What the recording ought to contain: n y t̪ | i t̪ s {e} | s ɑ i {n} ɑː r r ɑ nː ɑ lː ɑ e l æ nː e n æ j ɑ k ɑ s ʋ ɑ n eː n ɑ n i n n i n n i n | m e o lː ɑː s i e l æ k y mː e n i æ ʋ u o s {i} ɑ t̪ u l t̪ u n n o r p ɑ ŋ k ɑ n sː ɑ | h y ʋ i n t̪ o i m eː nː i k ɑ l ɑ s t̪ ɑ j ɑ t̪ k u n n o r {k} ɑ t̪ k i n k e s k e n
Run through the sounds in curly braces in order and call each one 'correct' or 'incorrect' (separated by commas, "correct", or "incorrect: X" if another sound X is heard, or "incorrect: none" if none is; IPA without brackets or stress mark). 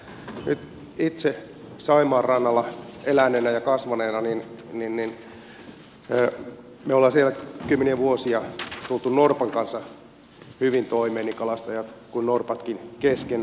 correct, incorrect: m, correct, incorrect: p